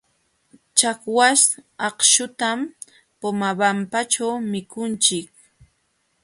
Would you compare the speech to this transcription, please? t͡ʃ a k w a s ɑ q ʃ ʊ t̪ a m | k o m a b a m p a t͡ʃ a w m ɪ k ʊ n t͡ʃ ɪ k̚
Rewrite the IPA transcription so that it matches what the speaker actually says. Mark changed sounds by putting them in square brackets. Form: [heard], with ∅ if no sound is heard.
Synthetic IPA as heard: t͡ʃ a k w a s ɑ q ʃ ʊ t̪ a m | [p] o m a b a m p a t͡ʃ a w m ɪ k ʊ n t͡ʃ ɪ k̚